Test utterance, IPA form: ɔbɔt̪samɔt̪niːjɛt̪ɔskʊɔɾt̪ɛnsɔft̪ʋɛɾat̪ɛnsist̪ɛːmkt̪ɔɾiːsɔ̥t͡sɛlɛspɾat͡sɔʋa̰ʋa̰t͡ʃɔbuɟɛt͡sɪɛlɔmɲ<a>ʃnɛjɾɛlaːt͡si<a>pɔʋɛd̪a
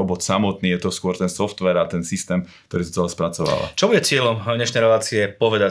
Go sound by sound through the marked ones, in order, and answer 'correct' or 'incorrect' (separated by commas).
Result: incorrect, incorrect